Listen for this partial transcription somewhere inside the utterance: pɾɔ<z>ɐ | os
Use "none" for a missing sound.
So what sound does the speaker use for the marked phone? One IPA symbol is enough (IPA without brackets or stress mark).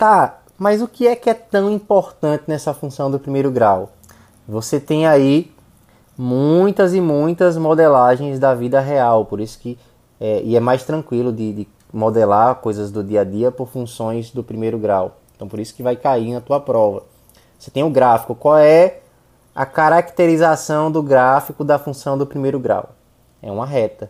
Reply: v